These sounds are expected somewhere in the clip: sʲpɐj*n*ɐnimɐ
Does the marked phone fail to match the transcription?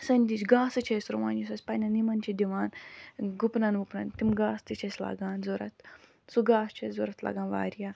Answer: no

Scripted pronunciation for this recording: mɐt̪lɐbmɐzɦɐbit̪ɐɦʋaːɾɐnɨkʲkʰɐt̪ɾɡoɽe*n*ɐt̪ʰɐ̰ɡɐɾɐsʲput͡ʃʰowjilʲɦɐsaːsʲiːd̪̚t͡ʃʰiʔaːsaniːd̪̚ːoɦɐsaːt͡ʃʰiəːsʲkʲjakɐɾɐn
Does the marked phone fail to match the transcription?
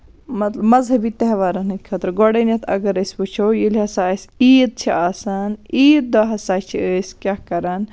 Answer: no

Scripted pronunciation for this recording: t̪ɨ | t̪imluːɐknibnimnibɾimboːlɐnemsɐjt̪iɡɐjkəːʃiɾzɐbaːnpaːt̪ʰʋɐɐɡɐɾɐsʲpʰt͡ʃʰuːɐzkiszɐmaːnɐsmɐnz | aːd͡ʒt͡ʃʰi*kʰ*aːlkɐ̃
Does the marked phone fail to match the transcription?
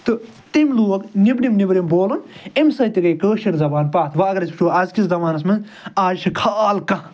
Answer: no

